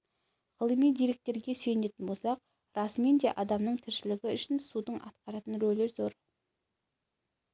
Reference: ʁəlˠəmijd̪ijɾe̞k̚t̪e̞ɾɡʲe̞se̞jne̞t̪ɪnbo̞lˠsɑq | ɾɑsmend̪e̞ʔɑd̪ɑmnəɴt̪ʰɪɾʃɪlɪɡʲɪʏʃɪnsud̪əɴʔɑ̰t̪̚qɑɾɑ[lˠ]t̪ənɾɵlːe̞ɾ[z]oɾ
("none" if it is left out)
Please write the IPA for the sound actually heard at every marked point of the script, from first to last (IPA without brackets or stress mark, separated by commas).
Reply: none, z